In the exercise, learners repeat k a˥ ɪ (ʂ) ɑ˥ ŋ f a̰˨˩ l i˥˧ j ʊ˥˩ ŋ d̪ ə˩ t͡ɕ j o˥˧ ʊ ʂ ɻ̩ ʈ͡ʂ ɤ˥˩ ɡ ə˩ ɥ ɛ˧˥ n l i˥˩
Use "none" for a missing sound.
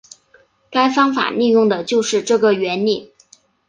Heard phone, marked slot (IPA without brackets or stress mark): f